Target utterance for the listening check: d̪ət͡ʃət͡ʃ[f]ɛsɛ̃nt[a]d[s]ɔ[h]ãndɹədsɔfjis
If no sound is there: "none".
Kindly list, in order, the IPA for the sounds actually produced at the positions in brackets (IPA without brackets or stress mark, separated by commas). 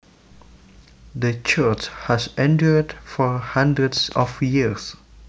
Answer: h, ə, f, h